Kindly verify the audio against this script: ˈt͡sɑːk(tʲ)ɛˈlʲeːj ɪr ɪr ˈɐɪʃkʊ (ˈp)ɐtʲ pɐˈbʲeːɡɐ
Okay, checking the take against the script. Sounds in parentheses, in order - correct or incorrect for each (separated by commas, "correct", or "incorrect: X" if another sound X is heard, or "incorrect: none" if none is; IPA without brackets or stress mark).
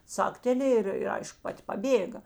correct, correct